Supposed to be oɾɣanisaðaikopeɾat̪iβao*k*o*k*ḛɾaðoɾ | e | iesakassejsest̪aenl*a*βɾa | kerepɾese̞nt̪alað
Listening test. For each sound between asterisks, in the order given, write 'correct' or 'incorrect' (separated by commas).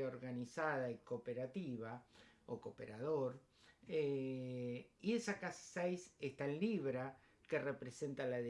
correct, incorrect, incorrect